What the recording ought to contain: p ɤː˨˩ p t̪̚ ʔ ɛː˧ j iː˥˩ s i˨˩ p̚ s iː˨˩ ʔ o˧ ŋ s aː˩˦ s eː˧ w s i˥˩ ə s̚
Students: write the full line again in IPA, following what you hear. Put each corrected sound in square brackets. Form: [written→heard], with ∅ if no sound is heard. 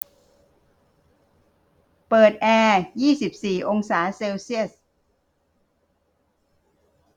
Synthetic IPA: p ɤː˨˩ [p→∅] t̪̚ ʔ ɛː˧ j iː˥˩ s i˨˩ p̚ s iː˨˩ ʔ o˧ ŋ s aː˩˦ s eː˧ w s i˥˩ ə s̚